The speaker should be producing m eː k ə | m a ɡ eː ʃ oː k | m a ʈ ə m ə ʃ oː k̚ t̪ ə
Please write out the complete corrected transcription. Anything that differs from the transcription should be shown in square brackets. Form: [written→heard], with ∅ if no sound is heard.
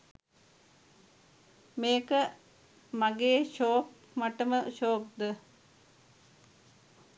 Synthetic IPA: m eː k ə | m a ɡ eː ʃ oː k | m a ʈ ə m ə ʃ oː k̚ [t̪→d̪] ə